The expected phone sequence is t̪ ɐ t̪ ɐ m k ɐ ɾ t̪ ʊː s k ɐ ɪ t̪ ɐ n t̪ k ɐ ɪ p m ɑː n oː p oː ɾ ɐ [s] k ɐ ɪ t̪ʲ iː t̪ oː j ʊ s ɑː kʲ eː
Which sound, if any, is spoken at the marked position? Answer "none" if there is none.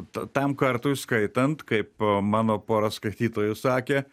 s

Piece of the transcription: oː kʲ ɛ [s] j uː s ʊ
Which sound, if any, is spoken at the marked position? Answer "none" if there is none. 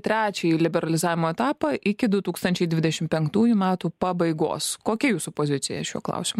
none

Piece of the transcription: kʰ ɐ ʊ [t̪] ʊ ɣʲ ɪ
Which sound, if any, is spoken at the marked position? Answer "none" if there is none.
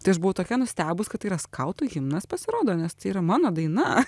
t̪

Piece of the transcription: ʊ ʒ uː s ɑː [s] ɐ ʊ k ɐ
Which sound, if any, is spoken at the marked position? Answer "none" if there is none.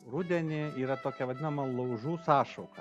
ʃ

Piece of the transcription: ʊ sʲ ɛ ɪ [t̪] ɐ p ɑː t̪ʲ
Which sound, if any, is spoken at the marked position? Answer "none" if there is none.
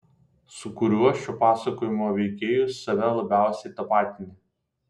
t̪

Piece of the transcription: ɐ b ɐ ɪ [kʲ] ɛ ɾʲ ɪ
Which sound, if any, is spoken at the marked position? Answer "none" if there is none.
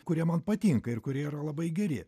ɡʲ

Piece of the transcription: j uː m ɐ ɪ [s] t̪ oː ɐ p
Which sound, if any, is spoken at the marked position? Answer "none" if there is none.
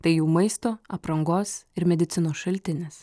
s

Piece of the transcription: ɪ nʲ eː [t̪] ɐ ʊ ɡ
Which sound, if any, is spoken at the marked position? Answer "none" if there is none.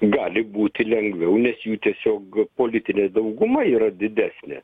d̪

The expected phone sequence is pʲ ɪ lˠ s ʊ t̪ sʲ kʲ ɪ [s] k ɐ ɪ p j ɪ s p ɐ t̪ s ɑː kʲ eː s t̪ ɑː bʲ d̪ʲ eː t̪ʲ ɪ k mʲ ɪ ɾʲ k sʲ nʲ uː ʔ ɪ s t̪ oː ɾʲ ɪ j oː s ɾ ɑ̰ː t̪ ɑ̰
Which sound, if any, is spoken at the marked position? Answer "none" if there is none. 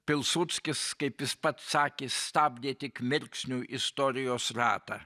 s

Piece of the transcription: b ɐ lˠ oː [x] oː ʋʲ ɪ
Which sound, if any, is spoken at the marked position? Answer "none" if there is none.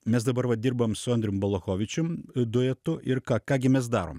x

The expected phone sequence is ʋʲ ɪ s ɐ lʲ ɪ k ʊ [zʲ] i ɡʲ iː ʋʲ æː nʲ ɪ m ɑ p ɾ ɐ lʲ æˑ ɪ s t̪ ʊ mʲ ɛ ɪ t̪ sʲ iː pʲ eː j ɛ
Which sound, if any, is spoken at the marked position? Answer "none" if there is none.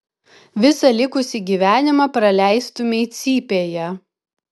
sʲ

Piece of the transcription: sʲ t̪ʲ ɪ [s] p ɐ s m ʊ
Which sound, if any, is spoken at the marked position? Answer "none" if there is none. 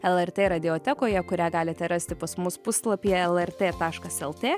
none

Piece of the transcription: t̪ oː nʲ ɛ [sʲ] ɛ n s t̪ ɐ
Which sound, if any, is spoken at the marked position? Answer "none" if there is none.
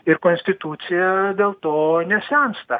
sʲ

